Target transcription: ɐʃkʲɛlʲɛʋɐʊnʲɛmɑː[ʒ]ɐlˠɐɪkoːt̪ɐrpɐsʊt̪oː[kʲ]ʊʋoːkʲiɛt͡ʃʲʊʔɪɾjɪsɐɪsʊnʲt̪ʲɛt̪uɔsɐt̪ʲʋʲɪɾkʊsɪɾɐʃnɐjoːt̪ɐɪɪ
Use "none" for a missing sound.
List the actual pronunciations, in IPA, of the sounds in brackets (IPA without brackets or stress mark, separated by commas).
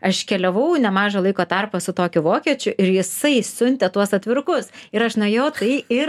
ʒ, kʲ